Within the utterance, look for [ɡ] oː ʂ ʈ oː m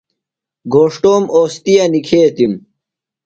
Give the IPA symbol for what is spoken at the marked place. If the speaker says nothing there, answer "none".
ɡ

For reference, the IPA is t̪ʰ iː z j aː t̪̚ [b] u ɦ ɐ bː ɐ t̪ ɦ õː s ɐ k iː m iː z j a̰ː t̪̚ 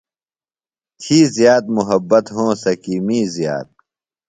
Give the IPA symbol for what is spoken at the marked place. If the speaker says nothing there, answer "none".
m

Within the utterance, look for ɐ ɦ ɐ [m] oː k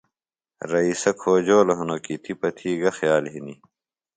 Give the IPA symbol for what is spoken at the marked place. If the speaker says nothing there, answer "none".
n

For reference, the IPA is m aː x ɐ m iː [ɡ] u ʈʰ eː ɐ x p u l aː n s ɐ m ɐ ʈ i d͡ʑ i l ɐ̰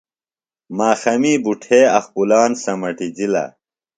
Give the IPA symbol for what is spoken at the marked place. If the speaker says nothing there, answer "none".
b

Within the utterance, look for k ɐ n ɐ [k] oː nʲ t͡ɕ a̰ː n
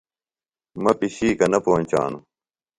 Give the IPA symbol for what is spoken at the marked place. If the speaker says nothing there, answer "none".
p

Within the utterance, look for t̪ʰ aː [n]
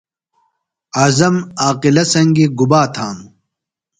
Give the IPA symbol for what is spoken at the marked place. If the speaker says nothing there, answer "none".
m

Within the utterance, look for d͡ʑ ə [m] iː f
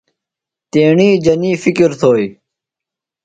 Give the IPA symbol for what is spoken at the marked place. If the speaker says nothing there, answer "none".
n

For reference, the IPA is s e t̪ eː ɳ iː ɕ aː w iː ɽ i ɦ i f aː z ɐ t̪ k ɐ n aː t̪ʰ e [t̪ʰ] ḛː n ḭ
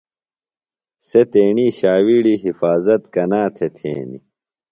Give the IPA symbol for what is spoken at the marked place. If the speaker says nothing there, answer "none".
t̪ʰ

